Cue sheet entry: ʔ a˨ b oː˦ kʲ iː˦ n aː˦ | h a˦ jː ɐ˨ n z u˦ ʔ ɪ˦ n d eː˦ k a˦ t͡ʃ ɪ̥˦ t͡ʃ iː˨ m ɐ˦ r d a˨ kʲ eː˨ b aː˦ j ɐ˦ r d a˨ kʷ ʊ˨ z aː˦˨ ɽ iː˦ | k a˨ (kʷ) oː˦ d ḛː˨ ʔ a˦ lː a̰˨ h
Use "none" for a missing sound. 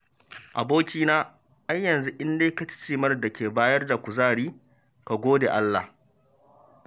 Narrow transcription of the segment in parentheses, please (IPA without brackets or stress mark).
ɡʷ